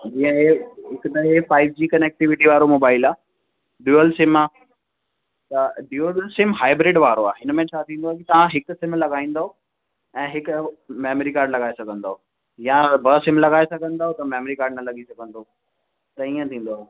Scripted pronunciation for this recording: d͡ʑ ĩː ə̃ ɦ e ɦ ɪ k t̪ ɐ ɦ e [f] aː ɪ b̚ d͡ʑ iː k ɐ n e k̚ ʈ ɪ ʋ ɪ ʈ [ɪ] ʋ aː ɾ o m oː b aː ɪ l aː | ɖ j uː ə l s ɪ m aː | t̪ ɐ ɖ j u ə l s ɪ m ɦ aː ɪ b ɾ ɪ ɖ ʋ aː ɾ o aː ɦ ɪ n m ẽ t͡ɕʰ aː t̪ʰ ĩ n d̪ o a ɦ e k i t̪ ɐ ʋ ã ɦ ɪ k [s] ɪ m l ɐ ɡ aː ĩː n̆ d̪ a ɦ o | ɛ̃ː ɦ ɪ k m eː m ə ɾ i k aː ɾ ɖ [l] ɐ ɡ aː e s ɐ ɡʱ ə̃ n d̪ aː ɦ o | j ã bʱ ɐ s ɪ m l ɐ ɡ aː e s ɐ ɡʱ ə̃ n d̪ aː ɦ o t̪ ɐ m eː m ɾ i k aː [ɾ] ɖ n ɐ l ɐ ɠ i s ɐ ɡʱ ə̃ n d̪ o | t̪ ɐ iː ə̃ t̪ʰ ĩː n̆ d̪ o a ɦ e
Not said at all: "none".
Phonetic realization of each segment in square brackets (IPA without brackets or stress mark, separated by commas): f, i, s, l, ɾ